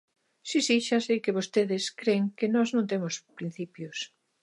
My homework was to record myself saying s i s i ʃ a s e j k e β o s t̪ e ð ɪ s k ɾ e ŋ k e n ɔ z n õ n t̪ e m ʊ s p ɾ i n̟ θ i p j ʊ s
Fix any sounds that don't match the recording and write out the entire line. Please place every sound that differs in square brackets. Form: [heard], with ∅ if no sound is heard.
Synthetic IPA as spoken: s i s i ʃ a s e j k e β o s t̪ e ð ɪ s k ɾ e ŋ k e n ɔ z n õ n t̪ e m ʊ s p ɾ i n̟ θ i p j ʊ s